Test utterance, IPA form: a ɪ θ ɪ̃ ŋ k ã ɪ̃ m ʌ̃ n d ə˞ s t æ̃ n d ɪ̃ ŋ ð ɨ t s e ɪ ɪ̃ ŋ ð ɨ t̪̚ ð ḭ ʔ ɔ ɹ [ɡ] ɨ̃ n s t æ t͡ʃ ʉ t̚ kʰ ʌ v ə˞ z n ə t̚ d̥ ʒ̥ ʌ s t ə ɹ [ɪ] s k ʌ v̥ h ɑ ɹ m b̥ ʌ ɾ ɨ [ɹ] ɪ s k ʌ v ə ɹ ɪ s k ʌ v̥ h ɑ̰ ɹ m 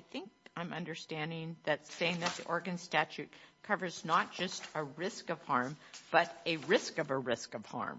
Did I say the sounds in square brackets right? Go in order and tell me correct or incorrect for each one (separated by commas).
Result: correct, correct, correct